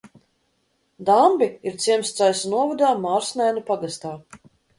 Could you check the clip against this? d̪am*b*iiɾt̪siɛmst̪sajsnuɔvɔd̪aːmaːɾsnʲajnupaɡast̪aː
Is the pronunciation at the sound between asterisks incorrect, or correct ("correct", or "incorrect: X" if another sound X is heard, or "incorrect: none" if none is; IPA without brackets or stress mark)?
correct